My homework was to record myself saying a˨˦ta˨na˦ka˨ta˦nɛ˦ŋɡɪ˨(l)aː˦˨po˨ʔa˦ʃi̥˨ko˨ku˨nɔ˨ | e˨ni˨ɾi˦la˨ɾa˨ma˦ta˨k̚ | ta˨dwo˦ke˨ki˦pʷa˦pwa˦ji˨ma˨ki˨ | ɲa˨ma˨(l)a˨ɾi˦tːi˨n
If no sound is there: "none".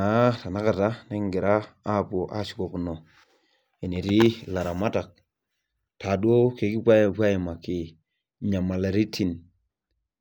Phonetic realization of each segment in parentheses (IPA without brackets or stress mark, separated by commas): ɾ, l